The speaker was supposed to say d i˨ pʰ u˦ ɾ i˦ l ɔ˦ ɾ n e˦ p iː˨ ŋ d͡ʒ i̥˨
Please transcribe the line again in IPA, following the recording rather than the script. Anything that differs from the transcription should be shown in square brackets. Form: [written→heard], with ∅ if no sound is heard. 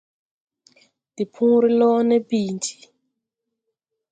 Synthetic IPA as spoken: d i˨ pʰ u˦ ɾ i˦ l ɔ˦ [ɾ→∅] n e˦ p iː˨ [ŋ→n] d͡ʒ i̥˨